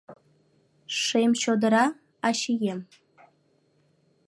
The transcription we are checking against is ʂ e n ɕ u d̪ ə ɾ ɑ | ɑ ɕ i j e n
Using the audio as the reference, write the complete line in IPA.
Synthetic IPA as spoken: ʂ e m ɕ o d̪ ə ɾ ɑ | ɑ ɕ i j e m

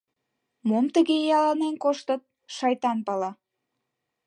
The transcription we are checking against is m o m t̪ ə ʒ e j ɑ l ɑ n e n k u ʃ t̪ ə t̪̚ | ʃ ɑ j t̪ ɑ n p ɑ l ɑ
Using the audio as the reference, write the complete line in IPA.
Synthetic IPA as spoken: m o m t̪ ə ɣ e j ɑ l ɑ n e n k o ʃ t̪ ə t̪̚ | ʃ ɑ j t̪ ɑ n p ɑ l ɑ

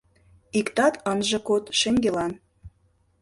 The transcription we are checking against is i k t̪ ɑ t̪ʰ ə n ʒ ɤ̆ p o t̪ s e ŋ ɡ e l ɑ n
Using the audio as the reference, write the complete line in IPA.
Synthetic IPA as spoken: i k t̪ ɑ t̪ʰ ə n ʒ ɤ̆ k o t̪ ʃ e ŋ ɡ e l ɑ n

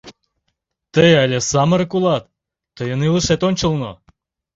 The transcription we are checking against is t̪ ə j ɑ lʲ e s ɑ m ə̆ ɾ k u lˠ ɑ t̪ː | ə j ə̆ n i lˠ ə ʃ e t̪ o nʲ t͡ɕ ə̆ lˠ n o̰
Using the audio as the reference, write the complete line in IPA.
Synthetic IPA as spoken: t̪ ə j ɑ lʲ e s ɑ m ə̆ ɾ k u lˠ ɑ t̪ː | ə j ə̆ n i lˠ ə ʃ e t̪ o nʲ t͡ɕ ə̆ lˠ n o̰

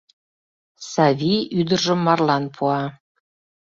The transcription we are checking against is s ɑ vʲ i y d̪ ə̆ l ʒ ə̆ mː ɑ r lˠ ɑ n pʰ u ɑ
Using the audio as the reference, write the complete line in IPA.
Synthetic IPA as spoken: s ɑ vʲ i y d̪ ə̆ r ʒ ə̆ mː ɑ r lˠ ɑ n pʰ u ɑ

